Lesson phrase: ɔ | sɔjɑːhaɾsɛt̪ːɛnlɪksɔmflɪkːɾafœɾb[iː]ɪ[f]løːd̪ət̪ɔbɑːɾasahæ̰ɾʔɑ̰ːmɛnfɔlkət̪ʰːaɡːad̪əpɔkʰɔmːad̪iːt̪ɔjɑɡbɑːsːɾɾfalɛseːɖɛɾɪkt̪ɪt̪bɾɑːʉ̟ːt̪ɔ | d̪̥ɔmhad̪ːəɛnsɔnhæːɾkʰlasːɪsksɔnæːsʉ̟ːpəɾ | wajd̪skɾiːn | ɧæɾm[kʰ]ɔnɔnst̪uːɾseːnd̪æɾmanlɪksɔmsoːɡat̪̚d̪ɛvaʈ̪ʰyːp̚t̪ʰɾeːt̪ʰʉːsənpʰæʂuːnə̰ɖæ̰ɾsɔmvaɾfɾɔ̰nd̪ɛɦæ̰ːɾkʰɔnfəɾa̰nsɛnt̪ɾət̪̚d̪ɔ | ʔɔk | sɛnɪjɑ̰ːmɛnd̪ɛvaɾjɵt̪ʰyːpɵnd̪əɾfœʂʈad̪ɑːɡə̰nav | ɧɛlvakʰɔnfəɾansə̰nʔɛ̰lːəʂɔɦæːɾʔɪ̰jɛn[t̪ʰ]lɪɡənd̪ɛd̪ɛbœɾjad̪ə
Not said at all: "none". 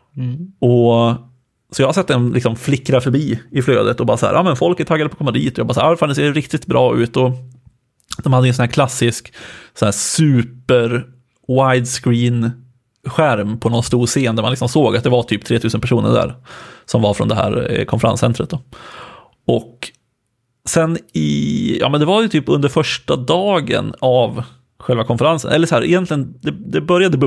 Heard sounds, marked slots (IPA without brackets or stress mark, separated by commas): iː, f, pʰ, t̪